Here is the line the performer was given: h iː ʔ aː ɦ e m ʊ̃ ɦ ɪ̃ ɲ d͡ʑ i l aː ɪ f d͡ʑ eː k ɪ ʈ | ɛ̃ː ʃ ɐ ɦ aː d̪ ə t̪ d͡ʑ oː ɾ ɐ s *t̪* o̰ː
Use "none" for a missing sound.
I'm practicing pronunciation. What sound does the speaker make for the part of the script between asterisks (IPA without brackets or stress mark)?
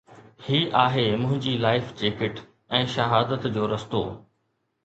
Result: t̪